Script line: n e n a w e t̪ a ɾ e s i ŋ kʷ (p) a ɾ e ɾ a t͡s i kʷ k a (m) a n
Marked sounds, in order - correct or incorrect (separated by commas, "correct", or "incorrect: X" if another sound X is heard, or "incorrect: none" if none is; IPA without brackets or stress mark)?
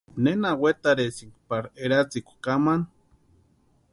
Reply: correct, correct